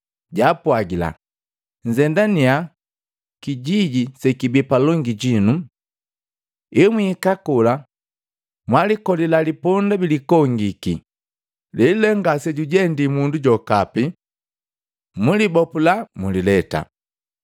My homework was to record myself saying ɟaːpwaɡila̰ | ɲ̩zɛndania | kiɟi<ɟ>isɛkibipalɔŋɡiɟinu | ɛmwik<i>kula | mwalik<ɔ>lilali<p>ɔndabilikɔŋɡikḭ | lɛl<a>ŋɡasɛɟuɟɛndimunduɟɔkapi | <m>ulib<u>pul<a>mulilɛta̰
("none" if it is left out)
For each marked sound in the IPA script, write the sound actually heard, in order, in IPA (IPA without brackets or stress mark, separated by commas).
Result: ɟ, a, ɔ, p, ɛ, m, ɔ, a